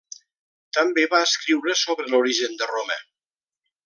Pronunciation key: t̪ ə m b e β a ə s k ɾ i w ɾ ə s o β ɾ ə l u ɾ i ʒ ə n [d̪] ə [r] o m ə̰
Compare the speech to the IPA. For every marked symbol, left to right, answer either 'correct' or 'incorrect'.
correct, correct

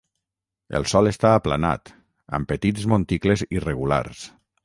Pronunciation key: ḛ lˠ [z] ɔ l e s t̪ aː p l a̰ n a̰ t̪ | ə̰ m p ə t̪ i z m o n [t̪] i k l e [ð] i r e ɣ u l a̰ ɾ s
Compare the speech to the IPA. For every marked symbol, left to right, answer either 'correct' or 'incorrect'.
incorrect: s, correct, incorrect: z

